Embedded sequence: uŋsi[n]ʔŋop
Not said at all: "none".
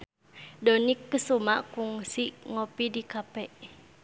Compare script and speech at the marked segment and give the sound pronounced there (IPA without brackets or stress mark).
none